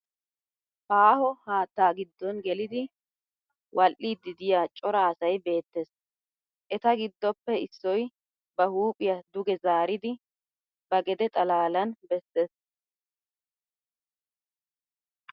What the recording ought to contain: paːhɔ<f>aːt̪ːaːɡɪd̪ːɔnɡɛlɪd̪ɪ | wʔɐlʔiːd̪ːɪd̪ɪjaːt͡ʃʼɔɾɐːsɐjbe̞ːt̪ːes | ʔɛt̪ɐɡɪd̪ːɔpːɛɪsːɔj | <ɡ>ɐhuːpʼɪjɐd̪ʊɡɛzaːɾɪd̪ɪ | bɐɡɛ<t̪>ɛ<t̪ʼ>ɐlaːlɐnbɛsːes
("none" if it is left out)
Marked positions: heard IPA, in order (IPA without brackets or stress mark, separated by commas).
h, b, d̪, t̪ʼ